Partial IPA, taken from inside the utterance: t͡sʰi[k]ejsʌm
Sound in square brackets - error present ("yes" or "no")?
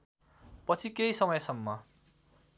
no